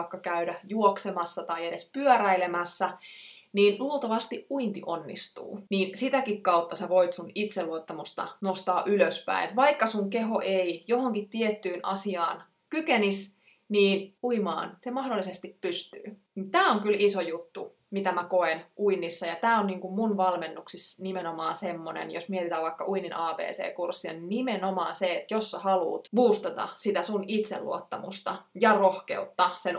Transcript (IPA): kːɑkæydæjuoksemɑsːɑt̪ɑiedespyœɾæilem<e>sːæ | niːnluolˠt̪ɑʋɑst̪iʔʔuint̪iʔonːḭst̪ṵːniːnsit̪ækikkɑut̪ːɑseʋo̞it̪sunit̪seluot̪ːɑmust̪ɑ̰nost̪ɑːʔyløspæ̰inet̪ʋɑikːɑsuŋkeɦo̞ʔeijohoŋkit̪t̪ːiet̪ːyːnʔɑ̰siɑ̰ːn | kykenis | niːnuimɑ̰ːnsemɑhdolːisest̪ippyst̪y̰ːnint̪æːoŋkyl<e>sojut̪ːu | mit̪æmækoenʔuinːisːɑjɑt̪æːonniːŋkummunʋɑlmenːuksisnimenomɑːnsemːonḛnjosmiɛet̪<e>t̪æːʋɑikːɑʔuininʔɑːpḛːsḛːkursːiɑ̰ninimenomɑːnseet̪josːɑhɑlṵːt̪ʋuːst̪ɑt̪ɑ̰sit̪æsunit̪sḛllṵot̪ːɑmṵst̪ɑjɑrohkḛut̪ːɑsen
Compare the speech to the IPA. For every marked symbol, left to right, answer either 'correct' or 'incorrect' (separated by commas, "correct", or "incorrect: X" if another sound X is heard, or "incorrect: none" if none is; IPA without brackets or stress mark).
incorrect: æ, incorrect: i, incorrect: i